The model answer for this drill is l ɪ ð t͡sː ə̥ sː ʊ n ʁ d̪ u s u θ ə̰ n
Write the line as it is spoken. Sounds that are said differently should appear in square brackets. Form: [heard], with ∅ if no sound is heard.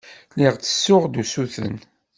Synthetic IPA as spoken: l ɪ [ʁ] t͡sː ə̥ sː ʊ [∅] ʁ d̪ u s u θ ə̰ n